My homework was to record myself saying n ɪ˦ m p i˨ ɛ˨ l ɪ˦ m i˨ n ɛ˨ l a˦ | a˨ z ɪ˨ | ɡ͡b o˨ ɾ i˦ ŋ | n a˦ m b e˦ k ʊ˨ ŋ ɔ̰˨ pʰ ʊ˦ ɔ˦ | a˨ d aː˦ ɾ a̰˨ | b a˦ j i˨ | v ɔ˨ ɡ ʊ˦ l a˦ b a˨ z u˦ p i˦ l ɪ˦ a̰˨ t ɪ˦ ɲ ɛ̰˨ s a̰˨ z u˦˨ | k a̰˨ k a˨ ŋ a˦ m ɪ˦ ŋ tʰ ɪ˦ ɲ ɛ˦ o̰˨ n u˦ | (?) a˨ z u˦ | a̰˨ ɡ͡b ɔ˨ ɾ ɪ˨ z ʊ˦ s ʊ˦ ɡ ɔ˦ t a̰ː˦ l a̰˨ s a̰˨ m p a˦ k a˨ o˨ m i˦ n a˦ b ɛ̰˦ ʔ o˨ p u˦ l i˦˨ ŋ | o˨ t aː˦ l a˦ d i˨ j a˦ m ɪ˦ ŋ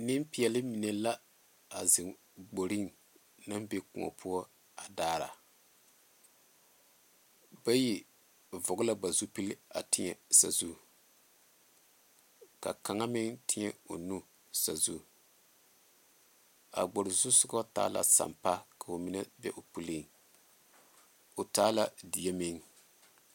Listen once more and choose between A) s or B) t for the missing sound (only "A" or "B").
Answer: A